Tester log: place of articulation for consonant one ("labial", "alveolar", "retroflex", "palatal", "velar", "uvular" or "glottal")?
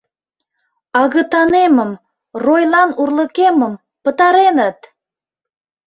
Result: velar